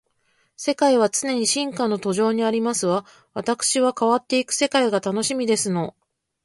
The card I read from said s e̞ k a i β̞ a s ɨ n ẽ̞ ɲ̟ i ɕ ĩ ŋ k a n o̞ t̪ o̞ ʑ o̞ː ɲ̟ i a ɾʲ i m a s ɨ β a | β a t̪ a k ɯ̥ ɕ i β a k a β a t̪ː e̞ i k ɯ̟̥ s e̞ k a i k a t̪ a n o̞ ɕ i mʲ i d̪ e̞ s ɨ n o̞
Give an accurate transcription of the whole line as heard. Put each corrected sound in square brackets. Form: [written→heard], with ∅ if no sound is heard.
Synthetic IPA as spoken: s e̞ k a i β̞ a [s→t͡s] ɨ n [ẽ̞→e̞] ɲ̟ i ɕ ĩ ŋ k a n o̞ t̪ o̞ ʑ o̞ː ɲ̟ i a ɾʲ i m a s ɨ β a | β a t̪ a k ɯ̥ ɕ i β a k a β a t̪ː e̞ i k ɯ̟̥ s e̞ k a i [k→ɡ] a t̪ a n o̞ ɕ i mʲ i d̪ e̞ s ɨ n o̞